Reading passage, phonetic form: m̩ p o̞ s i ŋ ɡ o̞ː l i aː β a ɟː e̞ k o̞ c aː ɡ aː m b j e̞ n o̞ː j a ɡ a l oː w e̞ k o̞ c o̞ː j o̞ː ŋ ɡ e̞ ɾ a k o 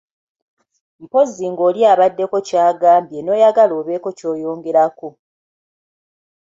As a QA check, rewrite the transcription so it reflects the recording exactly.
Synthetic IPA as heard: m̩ p o̞ z i ŋ ɡ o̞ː l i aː β a dː e̞ k o̞ c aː ɡ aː m b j e̞ n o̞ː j a ɡ a l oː β e̞ k o̞ c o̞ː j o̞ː ŋ ɡ e̞ ɾ a k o